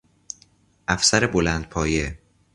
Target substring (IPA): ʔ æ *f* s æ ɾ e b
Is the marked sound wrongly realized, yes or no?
no